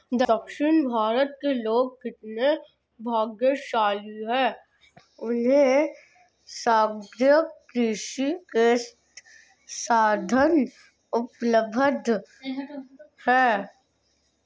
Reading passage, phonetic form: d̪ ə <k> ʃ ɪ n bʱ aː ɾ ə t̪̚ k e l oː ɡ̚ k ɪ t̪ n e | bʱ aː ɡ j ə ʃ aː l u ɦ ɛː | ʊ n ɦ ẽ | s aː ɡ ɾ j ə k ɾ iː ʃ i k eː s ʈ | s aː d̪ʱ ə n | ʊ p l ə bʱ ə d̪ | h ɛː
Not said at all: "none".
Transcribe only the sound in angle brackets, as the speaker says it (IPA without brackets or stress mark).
k